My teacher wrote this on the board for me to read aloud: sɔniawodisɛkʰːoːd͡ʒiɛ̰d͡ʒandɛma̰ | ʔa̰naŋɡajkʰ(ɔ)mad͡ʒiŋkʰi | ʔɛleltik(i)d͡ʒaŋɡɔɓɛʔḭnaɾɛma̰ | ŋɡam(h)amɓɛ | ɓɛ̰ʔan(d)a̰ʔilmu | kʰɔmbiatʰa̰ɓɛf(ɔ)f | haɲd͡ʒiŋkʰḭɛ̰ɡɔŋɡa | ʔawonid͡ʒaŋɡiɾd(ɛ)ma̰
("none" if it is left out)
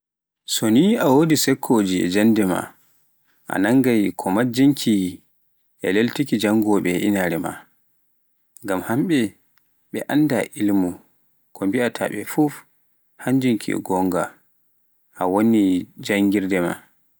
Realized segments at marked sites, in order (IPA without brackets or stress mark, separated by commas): ɔ, i, h, d, u, ɛ